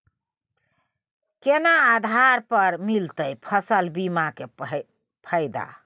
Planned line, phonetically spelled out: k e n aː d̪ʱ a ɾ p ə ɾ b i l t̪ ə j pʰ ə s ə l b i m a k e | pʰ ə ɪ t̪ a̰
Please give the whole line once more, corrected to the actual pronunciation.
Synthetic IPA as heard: k e n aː d̪ʱ a ɾ p ə ɾ m i l t̪ ə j pʰ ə s ə l b i m a k e | pʰ ə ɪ d̪ a̰